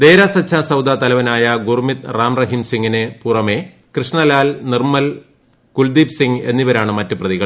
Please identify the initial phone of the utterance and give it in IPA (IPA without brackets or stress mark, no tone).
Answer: d̪